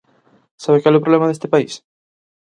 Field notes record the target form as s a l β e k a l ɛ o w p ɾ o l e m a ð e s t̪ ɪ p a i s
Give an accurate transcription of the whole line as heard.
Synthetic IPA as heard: s a β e k a l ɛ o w p ɾ o l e m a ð e s t̪ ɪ p a i s

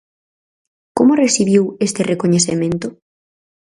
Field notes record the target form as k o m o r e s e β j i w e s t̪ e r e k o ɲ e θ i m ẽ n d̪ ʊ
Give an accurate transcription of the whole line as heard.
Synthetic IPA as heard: k o m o r e s i β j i w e s t̪ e r e k o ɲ e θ e m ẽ n t̪ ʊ

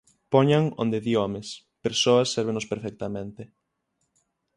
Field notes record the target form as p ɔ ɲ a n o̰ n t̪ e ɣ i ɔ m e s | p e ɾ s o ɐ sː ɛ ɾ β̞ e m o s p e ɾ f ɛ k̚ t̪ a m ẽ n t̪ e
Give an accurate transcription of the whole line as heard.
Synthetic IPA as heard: p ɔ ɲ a ŋ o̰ n d̪ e ð i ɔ m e s | p e ɾ s o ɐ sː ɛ ɾ β̞ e n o s p e ɾ f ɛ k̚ t̪ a m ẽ n t̪ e

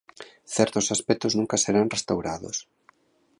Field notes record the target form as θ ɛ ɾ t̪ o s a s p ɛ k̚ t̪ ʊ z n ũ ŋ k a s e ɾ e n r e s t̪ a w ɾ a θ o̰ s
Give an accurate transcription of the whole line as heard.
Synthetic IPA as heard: θ ɛ ɾ t̪ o s a s p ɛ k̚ t̪ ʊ z n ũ ŋ k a s e ɾ a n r e s t̪ a w ɾ a ð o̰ s

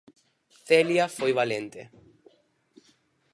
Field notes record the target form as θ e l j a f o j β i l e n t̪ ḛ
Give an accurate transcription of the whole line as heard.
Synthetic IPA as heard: θ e l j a f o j β a l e n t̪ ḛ

